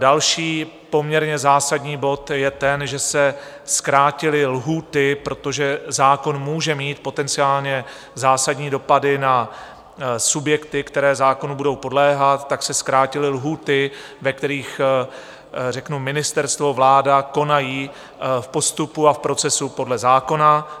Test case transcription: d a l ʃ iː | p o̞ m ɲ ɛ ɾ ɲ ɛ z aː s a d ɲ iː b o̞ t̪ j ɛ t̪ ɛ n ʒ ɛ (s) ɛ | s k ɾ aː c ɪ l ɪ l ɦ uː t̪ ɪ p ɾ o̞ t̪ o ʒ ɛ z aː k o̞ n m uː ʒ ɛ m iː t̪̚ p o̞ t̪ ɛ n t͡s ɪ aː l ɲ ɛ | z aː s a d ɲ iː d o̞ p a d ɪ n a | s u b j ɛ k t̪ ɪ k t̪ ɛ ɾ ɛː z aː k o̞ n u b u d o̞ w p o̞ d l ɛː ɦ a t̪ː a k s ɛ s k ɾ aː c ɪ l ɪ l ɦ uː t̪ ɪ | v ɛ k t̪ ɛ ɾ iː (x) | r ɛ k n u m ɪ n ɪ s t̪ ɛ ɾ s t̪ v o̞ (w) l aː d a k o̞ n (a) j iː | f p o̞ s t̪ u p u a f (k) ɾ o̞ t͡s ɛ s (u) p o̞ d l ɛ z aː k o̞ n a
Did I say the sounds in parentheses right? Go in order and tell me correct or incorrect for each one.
correct, correct, incorrect: v, correct, incorrect: p, correct

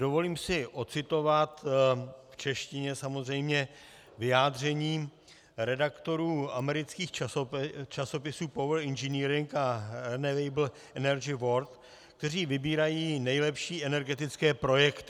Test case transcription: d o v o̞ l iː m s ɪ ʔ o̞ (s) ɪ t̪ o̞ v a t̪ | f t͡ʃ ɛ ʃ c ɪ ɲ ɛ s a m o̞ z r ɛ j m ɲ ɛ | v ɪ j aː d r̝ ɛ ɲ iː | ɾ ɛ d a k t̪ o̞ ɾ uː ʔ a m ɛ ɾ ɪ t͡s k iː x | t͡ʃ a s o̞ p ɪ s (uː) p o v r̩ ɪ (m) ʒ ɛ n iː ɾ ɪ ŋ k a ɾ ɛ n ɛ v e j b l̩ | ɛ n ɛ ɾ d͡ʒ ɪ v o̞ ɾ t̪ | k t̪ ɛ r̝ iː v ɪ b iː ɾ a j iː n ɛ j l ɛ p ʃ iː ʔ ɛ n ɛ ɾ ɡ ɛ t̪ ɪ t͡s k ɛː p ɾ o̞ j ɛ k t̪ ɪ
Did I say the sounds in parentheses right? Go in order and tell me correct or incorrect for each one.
incorrect: t͡s, correct, incorrect: n

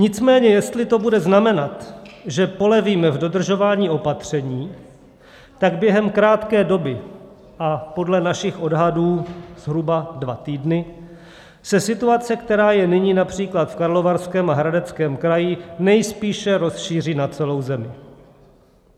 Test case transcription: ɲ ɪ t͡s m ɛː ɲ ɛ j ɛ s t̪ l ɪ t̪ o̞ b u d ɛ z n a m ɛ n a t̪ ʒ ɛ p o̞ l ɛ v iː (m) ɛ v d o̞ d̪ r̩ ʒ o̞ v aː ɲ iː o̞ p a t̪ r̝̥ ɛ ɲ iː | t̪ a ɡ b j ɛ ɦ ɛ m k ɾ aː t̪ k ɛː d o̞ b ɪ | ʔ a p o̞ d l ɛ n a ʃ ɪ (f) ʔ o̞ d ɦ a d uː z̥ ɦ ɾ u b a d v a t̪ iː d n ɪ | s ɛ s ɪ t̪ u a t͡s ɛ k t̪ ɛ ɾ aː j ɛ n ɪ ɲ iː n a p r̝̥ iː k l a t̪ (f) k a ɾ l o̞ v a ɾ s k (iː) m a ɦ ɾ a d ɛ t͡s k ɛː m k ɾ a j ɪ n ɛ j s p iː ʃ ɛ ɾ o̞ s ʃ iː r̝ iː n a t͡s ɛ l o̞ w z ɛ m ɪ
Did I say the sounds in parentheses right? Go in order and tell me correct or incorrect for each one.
correct, incorrect: x, correct, incorrect: ɛː

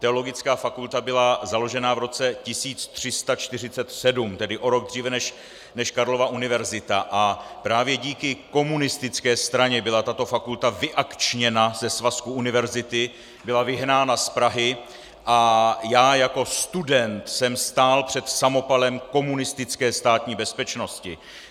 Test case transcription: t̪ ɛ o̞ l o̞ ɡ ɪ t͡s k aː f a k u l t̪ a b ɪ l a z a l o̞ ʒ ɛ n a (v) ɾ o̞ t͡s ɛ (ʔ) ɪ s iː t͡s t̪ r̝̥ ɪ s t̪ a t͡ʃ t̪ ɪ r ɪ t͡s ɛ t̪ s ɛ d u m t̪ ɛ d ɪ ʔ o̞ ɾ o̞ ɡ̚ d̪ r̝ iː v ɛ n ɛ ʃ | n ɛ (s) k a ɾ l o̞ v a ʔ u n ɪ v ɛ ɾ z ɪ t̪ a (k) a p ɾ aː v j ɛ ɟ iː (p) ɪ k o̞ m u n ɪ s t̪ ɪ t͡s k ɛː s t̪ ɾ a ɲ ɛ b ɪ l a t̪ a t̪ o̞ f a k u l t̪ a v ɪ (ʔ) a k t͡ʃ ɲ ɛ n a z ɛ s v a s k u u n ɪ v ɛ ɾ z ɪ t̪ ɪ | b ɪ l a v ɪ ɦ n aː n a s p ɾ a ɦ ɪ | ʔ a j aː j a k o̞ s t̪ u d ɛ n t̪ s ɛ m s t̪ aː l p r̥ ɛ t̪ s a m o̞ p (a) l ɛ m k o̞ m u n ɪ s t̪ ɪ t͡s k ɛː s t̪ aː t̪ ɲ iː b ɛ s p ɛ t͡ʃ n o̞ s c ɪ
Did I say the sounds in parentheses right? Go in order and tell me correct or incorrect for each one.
correct, incorrect: c, incorrect: ʃ, incorrect: ʔ, incorrect: k, correct, correct

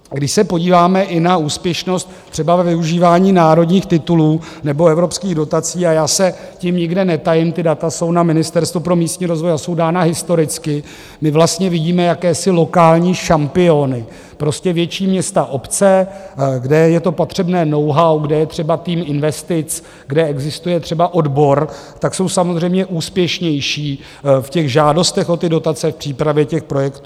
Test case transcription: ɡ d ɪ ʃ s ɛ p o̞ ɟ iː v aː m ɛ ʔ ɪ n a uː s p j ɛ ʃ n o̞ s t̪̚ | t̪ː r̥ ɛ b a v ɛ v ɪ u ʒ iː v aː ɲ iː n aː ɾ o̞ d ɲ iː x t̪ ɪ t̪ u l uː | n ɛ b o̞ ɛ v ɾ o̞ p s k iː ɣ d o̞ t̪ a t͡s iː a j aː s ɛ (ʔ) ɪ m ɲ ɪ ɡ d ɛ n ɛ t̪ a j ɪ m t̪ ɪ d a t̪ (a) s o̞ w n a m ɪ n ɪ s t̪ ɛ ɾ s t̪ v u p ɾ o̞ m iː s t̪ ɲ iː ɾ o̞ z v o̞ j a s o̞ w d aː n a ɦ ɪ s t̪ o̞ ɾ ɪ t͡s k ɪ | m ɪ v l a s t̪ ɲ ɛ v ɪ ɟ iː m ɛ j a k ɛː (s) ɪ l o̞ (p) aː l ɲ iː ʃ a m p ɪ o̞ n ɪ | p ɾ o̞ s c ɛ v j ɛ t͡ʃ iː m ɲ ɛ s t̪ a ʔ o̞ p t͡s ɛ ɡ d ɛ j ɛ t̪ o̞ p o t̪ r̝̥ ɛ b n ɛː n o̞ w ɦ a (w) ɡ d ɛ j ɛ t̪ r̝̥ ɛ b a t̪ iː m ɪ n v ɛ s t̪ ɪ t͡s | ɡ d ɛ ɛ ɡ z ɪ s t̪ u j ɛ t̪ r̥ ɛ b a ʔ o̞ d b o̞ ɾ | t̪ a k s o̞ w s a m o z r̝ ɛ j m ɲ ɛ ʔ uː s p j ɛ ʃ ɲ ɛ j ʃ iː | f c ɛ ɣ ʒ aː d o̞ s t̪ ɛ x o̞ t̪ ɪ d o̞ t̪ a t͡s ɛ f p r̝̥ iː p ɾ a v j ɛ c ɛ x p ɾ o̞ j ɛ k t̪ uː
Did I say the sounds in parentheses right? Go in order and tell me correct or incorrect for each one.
incorrect: c, correct, correct, incorrect: k, correct

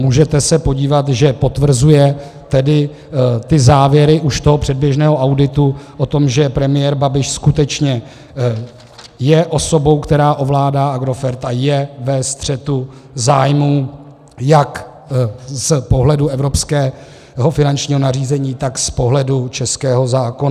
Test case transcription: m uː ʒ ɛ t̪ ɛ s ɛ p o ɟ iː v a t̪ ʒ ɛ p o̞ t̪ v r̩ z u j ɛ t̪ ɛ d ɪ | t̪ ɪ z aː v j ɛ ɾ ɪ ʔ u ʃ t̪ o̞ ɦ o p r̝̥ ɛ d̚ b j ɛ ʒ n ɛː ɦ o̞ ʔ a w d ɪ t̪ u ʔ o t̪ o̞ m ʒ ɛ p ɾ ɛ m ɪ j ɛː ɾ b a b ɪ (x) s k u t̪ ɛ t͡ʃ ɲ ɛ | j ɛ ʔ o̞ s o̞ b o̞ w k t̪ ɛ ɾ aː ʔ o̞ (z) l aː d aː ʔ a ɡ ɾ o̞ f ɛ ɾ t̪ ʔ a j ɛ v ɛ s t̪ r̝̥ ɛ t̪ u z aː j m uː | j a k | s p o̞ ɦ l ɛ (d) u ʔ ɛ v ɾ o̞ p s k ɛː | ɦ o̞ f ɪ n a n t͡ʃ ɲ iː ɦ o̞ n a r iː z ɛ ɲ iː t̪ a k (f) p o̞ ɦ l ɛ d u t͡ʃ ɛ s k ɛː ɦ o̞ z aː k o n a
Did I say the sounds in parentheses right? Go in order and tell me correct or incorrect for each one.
incorrect: ʃ, incorrect: v, correct, incorrect: s

